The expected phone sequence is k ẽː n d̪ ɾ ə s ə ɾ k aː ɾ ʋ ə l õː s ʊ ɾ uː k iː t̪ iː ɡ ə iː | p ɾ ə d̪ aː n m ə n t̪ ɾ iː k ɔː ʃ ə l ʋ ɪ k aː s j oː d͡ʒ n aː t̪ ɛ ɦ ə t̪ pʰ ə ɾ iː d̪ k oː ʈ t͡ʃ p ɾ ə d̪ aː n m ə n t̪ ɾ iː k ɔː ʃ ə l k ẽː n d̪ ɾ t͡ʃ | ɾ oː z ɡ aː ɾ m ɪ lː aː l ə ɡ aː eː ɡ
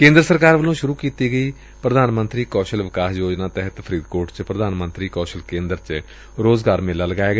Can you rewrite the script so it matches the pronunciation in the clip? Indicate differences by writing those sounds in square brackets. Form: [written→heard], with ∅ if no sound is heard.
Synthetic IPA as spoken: k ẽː n d̪ ɾ ə s ə ɾ k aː ɾ ʋ ə l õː [s→ʃ] ʊ ɾ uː k iː t̪ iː ɡ ə iː | p ɾ ə d̪ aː n m ə n t̪ ɾ iː k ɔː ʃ ə l ʋ ɪ k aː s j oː d͡ʒ n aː t̪ ɛ ɦ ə t̪ pʰ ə ɾ iː d̪ k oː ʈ t͡ʃ p ɾ ə d̪ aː n m ə n t̪ ɾ iː k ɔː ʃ ə l k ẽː n d̪ ɾ t͡ʃ | ɾ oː z ɡ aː ɾ m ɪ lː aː l ə ɡ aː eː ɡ